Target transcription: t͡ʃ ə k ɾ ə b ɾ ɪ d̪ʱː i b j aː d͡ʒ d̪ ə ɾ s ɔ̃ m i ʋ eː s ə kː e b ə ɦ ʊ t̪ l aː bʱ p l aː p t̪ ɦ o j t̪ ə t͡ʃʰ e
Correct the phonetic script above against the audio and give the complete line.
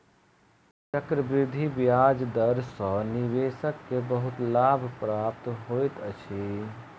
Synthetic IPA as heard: t͡ʃ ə k ɾ ə b ɾ ɪ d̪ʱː i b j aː d͡ʒ d̪ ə ɾ s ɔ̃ n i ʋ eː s ə kː e b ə ɦ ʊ t̪ l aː bʱ p ɾ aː p t̪ ɦ o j t̪ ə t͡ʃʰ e